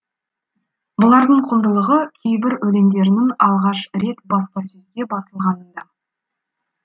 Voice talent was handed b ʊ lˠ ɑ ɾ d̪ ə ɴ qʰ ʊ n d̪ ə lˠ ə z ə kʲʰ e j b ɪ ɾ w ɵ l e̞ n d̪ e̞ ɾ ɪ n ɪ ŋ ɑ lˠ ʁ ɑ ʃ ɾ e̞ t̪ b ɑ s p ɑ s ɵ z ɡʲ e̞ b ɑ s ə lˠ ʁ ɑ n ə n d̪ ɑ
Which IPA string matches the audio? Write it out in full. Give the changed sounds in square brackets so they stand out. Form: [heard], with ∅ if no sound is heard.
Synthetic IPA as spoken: b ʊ lˠ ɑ ɾ d̪ ə ɴ qʰ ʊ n d̪ ə lˠ ə [ʁ] ə kʲʰ e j b ɪ ɾ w ɵ l e̞ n d̪ e̞ ɾ ɪ n ɪ ŋ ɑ lˠ ʁ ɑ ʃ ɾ e̞ t̪ b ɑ s p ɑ s ɵ z ɡʲ e̞ b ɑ s ə lˠ ʁ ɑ n ə n d̪ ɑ